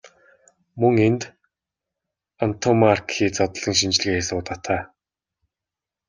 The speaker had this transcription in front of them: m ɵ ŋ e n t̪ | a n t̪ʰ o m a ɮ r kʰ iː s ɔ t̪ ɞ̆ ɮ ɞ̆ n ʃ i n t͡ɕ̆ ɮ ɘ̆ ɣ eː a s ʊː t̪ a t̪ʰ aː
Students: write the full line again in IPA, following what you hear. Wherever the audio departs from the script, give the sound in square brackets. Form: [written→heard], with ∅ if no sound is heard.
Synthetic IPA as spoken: m ɵ ŋ e n t̪ | a n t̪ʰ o m a [ɮ→∅] r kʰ iː [s→t͡s] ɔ t̪ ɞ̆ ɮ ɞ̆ [n→ŋ] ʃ i n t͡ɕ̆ ɮ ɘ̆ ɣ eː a s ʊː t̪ a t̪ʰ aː